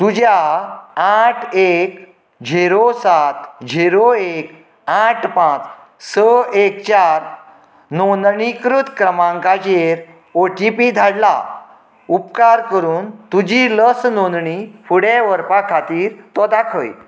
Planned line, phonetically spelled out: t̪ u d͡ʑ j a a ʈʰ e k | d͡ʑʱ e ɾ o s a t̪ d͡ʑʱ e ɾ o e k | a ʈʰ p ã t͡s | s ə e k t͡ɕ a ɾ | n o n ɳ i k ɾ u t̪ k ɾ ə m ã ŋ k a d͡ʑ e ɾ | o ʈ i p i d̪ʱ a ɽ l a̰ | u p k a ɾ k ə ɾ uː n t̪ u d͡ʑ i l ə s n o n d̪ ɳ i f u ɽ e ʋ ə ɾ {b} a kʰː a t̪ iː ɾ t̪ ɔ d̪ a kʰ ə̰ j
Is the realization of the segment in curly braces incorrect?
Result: yes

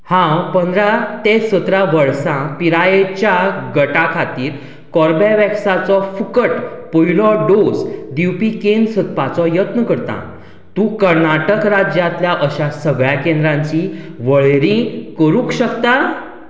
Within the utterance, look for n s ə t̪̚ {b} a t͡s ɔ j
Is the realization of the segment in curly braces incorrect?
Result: yes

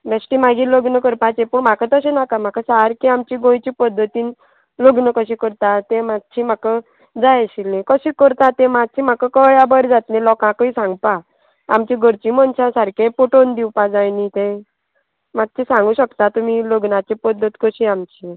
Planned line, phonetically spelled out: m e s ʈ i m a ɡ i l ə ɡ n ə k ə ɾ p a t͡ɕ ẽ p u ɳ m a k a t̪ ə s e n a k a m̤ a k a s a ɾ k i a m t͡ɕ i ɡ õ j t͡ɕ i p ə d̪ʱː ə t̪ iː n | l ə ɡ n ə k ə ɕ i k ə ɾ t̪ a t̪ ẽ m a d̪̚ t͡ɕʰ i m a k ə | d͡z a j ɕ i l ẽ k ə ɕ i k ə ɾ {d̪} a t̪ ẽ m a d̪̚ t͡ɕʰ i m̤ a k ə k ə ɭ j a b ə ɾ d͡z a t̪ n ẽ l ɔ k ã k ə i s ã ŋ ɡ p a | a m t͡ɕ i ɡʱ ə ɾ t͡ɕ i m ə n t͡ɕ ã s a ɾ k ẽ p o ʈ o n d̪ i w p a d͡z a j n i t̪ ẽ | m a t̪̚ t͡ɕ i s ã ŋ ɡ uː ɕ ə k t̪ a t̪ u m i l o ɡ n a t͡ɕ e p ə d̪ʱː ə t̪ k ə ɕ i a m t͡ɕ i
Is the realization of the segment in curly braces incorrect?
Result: yes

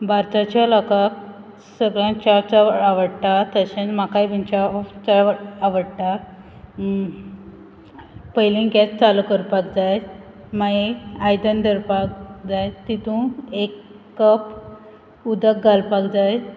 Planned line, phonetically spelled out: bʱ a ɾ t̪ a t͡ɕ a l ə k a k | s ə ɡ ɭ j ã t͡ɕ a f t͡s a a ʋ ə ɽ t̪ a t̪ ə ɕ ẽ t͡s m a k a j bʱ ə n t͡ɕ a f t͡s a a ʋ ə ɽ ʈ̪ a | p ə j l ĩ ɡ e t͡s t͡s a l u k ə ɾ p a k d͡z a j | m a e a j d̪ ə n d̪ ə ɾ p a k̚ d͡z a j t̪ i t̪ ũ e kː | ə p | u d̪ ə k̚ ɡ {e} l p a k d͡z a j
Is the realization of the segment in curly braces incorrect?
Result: yes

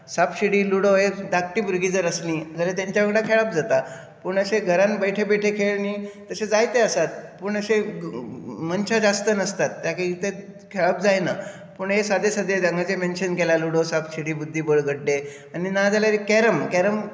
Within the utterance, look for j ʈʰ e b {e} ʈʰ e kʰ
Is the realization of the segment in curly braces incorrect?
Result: no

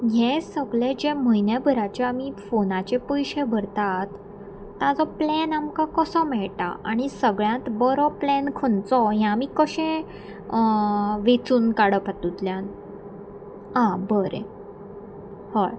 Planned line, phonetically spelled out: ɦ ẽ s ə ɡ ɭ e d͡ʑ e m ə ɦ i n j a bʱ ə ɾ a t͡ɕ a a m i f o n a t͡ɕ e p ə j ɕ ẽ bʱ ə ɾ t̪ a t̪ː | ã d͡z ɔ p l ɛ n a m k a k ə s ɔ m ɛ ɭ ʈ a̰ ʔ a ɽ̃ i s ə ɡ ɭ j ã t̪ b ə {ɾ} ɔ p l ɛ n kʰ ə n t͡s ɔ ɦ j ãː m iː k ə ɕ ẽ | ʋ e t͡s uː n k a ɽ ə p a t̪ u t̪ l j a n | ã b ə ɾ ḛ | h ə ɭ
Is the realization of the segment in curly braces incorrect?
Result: no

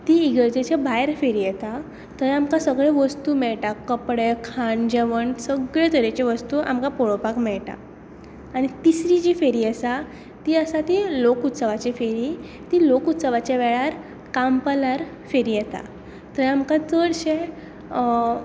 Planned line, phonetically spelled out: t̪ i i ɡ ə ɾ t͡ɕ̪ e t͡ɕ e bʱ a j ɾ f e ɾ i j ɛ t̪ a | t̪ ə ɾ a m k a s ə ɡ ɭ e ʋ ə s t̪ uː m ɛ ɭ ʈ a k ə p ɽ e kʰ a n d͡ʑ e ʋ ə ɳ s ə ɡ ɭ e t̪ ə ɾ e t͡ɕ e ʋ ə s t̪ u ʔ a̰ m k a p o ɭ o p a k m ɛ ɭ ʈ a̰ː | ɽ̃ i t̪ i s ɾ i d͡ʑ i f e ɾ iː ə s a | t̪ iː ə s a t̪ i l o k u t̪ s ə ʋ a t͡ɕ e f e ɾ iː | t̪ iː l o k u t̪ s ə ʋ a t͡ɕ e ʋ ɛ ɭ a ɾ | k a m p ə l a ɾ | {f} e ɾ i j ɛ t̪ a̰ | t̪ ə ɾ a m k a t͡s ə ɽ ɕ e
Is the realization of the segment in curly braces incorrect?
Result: no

